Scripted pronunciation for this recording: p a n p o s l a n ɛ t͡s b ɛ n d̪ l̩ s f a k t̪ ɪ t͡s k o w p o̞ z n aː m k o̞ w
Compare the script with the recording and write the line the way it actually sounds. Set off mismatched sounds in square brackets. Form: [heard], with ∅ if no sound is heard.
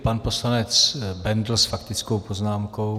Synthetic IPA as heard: p a n p o s l a n ɛ t͡s b ɛ n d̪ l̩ s f a k t̪ ɪ t͡s k o w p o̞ z n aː m k o̞ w